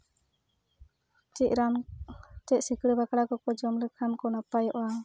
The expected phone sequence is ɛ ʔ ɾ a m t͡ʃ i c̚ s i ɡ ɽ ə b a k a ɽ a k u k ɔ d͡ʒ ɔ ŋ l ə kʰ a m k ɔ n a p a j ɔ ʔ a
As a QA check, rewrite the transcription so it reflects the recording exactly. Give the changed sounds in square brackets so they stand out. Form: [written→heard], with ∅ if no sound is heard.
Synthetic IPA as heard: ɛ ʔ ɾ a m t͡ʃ [i→ɛ] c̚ s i [ɡ→k] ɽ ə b a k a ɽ a k [u→ɔ] k ɔ d͡ʒ ɔ [ŋ→m] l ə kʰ a m k ɔ n a p a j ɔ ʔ a